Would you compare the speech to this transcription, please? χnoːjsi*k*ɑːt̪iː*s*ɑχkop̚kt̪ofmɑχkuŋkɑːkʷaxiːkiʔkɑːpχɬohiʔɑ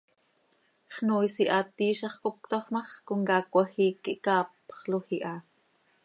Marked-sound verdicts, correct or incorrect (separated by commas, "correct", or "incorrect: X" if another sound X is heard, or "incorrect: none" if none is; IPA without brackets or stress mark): incorrect: ʔ, incorrect: ʃ